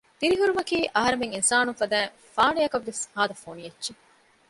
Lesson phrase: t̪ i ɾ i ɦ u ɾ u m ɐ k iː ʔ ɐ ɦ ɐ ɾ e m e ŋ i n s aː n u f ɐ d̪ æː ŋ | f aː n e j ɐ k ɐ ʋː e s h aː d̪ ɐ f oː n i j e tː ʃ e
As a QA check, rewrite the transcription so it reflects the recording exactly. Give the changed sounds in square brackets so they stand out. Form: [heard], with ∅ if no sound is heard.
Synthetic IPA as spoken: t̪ i ɾ i ɦ u ɾ u m ɐ k iː ʔ ɐ ɦ ɐ ɾ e m e ŋ i n s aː n u f ɐ d̪ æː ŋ | f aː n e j ɐ k ɐ ʋː e s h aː d̪ ɐ f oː n i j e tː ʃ e